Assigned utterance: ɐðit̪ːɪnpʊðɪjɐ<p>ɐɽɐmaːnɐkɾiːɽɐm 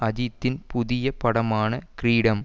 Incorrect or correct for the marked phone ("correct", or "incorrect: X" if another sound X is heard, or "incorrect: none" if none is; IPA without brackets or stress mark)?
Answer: correct